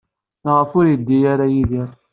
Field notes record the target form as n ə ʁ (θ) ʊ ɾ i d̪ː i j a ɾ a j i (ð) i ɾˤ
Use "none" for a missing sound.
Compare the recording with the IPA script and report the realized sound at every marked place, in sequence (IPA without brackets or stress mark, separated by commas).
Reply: f, ð